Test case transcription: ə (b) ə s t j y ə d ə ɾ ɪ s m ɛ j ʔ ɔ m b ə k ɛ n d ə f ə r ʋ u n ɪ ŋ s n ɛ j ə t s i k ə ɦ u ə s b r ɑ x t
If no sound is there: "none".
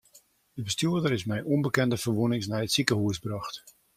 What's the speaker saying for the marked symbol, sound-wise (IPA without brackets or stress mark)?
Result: b